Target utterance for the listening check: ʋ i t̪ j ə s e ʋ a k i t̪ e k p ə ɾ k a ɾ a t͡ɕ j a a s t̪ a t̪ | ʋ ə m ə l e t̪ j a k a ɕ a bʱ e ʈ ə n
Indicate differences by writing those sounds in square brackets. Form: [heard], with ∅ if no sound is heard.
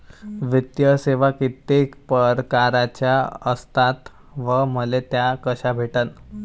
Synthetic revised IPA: ʋ i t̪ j ə s e ʋ a k i t̪ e k p ə ɾ k a ɾ a t͡ɕ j a [ə] s t̪ a t̪ | ʋ ə m ə l e t̪ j a k [ə] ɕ a bʱ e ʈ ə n

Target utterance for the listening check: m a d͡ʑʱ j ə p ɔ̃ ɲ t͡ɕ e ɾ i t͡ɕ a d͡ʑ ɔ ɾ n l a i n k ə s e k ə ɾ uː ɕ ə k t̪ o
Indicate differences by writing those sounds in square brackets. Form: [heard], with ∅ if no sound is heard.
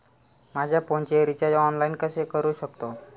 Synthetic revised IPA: m a d͡ʑʱ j [a] p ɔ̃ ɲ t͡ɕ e ɾ i t͡ɕ a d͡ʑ ɔ [∅] n l a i n k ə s e k ə ɾ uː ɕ ə k t̪ o

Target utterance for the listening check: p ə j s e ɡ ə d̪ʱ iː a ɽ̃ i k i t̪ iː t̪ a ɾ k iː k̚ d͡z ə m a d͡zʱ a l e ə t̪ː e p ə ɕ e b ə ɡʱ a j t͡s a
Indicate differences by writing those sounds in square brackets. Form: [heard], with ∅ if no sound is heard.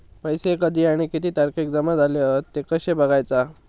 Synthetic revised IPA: p ə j s e [k] ə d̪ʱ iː a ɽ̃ i k i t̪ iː t̪ a ɾ k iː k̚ d͡z ə m a d͡zʱ a l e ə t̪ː e [k] ə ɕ e b ə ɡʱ a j t͡s a

